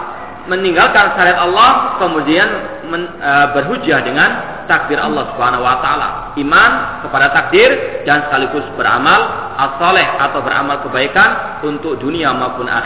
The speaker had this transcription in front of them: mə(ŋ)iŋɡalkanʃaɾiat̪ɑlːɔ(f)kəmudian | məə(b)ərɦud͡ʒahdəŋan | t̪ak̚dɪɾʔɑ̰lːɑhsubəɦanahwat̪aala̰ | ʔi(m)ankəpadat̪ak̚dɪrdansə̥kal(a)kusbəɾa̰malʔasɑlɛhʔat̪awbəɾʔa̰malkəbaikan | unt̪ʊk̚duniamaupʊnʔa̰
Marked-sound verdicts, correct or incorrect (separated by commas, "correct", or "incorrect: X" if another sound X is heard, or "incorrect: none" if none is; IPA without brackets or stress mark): incorrect: n, incorrect: h, correct, correct, incorrect: i